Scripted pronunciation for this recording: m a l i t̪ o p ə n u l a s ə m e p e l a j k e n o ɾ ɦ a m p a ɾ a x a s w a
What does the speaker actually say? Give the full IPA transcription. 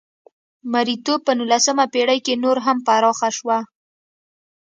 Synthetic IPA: m a ɾ i t̪ o p ə n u l a s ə m a p e ɽ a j k e n o ɾ ɦ a m p a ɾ ɑ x a ʃ w a